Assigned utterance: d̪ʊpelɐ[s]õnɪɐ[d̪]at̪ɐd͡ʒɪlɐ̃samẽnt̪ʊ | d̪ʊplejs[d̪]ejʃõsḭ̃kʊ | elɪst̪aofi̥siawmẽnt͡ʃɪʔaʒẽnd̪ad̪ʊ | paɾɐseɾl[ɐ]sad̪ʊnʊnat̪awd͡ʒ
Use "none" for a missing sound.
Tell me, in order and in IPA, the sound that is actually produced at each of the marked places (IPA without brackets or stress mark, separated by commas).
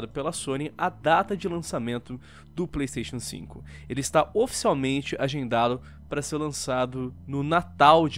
s, d̪, t̪, ɐ̃